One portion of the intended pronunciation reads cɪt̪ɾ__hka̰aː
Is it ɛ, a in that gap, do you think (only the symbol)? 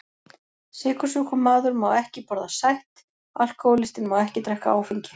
ɛ